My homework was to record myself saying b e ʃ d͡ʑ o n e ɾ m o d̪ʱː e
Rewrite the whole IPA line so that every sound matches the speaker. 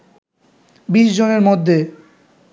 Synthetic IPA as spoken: b i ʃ d͡ʑ o n e ɾ m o d̪ʱː e

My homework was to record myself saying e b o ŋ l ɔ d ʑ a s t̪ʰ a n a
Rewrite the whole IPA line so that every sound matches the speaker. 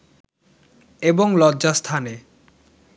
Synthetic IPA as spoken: e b o ŋ l ɔ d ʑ a s t̪ʰ a n e

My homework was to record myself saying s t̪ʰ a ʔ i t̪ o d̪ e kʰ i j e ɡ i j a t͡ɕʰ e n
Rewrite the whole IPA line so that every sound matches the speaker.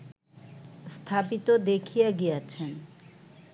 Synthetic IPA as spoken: s t̪ʰ a p i t̪ o d̪ e kʰ i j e ɡ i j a t͡ɕʰ e n

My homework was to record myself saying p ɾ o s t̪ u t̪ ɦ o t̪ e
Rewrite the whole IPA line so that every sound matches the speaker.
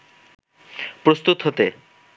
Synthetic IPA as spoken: p ɾ o s t̪ u t̪ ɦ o t̪ e

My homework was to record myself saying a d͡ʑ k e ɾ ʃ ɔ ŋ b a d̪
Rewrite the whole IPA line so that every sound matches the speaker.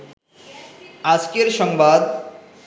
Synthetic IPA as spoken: a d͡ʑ k e ɾ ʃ ɔ ŋ b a d̪

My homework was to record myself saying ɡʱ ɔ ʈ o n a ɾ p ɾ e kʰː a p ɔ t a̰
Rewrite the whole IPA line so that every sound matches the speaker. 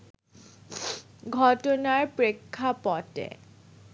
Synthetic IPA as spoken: ɡʱ ɔ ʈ o n a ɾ p ɾ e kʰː a p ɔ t ḛ

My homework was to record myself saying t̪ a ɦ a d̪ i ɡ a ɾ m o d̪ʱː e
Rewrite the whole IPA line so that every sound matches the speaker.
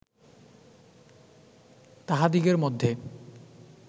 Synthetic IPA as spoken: t̪ a ɦ a d̪ i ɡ e ɾ m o d̪ʱː e

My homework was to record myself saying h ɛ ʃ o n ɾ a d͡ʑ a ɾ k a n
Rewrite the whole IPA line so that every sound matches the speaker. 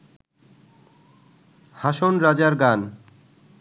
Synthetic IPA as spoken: h a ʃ o n ɾ a d͡ʑ a ɾ ɡ a n

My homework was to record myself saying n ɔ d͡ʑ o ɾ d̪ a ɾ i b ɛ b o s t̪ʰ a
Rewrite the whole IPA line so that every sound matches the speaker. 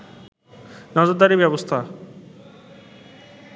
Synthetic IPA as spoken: n ɔ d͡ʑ o ɾ d̪ a ɾ i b ɛ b o s t̪ʰ a

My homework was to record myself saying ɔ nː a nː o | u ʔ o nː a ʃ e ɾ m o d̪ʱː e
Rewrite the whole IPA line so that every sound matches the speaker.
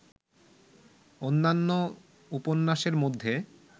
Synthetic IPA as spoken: o nː a nː o | u p o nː a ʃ e ɾ m o d̪ʱː e

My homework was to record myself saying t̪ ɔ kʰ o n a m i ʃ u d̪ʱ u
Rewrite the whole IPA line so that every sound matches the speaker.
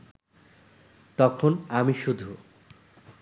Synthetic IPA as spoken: t̪ ɔ kʰ o n a m i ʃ u d̪ʱ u

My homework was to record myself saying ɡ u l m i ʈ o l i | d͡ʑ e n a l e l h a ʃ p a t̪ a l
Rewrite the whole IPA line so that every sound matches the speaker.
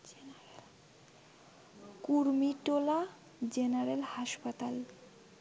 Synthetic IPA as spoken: k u ɾ m i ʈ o l a | d͡ʑ e n a ɾ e l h a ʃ p a t̪ a l

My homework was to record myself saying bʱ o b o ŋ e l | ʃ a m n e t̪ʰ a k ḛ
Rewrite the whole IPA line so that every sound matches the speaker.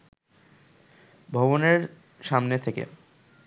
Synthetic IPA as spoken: bʱ ɔ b o n e ɾ | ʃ a m n e t̪ʰ e k ḛ

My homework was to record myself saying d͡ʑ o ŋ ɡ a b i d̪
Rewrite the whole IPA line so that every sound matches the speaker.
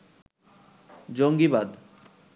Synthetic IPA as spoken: d͡ʑ o ŋ ɡ i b a d̪

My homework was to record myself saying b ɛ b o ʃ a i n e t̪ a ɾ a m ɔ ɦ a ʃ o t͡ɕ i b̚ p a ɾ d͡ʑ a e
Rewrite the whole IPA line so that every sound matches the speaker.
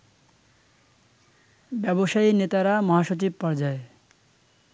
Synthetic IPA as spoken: b ɛ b o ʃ a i n e t̪ a ɾ a m ɔ ɦ a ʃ o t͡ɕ i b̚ p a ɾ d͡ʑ a e

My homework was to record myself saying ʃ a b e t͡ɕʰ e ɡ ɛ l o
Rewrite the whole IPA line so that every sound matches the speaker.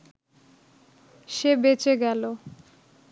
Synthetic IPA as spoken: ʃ e b e t͡ɕ e ɡ ɛ l o

